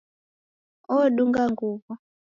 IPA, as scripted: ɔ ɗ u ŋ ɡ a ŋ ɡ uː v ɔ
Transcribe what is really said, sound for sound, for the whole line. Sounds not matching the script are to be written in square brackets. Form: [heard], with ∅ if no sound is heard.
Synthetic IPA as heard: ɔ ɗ u ŋ ɡ a ŋ ɡ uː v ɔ